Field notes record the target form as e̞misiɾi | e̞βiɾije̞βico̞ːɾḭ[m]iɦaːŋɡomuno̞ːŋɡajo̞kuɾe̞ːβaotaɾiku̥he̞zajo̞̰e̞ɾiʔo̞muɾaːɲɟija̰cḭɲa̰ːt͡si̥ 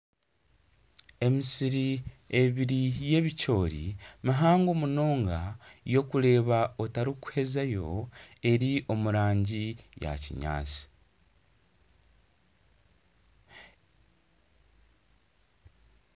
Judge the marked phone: correct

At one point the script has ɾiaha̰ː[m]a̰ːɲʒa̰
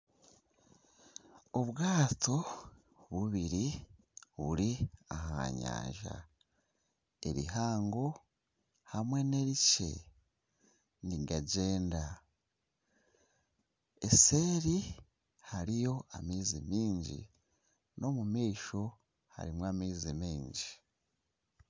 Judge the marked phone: incorrect: ɲ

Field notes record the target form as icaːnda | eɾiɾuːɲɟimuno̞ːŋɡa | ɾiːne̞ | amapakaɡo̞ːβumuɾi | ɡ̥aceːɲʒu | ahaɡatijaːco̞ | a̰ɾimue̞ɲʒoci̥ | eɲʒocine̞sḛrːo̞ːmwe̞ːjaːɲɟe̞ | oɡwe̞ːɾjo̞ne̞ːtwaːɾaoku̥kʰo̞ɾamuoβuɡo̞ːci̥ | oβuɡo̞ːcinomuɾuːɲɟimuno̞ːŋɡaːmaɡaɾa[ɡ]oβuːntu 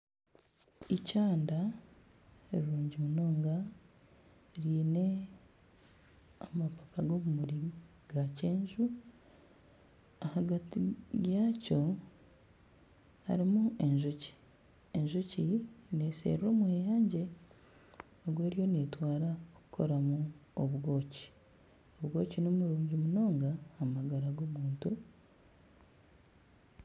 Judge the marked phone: correct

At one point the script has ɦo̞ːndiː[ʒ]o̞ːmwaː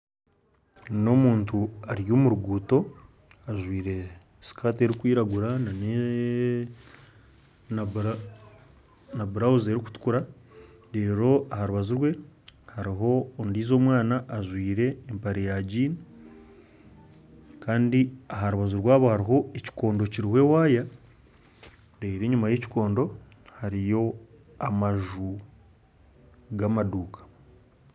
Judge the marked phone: incorrect: z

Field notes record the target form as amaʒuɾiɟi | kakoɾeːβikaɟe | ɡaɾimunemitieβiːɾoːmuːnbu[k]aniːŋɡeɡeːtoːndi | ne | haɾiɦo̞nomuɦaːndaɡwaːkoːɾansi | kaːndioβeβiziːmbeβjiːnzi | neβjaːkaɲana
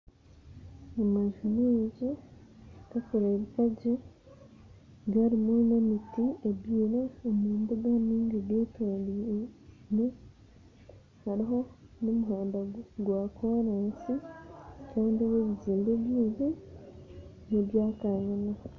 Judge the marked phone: incorrect: ɡ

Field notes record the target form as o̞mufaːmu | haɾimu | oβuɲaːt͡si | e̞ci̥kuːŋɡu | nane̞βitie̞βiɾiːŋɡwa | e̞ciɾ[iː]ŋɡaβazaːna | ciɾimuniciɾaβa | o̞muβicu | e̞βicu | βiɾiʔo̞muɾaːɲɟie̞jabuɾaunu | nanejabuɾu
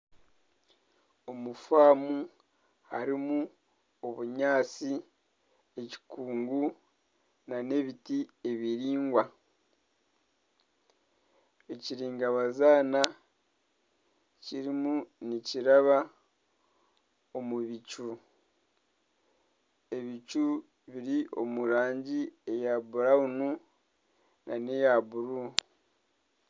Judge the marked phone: correct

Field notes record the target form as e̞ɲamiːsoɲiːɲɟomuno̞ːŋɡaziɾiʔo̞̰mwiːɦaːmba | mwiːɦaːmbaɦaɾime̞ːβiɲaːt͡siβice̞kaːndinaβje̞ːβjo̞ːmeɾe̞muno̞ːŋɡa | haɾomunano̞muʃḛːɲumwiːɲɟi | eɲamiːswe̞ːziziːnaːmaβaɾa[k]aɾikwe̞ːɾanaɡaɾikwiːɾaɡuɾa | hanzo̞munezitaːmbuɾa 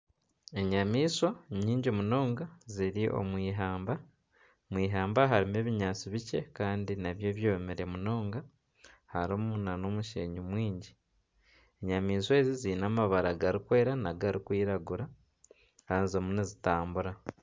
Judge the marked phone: incorrect: ɡ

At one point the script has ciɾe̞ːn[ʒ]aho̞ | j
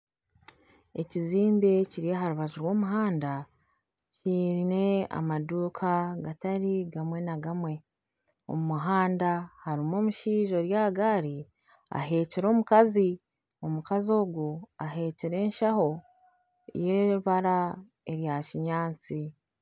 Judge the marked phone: incorrect: ʃ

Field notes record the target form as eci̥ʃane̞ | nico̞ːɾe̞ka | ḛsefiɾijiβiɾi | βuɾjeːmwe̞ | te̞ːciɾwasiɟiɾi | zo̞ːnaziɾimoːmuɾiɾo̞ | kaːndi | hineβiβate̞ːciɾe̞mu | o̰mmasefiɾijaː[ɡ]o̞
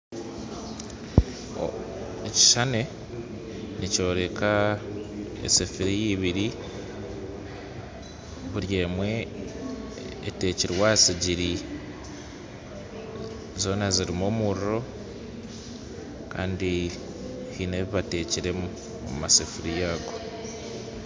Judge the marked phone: correct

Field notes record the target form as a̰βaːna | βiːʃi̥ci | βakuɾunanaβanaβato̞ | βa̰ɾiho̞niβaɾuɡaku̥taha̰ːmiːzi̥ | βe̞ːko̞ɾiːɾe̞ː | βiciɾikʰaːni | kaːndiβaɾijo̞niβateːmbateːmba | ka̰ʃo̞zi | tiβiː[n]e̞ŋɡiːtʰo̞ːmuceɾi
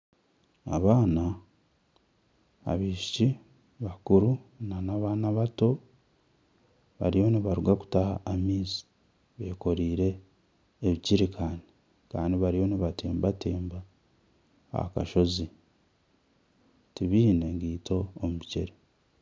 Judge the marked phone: correct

